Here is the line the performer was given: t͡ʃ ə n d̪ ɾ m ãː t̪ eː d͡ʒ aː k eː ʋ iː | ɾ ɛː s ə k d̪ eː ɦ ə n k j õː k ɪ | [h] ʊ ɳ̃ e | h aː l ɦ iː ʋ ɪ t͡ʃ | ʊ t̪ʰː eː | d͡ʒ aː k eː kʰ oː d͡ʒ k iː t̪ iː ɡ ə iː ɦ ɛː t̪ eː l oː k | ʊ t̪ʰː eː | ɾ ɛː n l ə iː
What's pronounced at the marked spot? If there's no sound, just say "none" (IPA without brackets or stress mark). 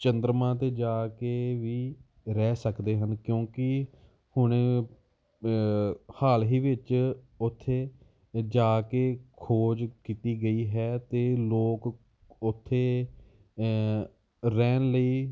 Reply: h